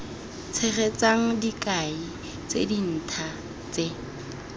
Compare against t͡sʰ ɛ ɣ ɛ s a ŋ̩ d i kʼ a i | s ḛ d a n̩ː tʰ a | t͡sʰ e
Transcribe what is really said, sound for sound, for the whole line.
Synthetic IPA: t͡sʰ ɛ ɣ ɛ t͡s a ŋ̩ d i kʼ a i | t͡s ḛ d i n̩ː tʰ a | t͡s e